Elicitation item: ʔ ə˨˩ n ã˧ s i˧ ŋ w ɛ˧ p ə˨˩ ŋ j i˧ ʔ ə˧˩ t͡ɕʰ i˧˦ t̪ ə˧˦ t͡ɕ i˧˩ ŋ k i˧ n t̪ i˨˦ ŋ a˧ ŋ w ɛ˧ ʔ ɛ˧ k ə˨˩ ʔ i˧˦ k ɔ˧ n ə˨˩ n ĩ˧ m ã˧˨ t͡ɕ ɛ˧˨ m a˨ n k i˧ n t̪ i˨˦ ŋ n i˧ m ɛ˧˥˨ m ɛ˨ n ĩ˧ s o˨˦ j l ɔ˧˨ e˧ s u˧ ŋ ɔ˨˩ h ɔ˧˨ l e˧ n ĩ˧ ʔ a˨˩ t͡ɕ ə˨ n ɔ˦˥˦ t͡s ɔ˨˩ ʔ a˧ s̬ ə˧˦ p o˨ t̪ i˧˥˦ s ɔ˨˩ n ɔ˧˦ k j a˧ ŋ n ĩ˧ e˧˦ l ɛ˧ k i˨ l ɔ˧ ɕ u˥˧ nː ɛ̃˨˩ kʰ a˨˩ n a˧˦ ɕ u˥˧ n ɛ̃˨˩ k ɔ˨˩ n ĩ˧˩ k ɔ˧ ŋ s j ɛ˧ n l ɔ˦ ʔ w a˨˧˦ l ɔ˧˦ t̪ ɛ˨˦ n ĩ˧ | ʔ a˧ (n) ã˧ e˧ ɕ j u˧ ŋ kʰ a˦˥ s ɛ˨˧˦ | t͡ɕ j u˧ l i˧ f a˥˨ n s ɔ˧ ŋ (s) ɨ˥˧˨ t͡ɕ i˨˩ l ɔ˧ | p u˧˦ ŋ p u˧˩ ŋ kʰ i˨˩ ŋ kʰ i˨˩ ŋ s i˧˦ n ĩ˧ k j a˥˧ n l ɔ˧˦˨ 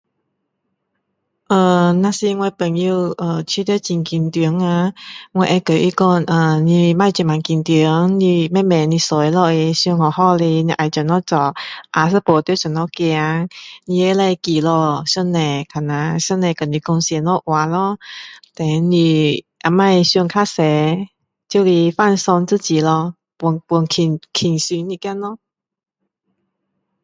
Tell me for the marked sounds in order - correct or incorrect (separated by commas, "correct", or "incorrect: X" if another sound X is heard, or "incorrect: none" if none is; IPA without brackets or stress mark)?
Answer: incorrect: m, incorrect: t͡s